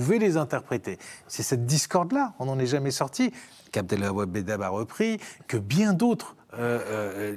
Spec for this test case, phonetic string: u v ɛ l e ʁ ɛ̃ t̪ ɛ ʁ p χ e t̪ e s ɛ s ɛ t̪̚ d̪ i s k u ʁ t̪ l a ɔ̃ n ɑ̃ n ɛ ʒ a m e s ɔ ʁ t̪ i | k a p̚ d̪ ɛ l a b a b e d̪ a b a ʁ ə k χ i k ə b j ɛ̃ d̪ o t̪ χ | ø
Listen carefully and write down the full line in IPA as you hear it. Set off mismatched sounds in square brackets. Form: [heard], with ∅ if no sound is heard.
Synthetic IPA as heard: u v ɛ l e [z] ɛ̃ t̪ ɛ ʁ p χ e t̪ e s ɛ s ɛ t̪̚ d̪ i s k [ɔ] ʁ [d̪] l a ɔ̃ n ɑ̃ n ɛ ʒ a m [ɛ] s ɔ ʁ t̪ i | k a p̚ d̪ ɛ l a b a b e d̪ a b a ʁ ə [p] χ i k ə b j ɛ̃ d̪ o t̪ χ | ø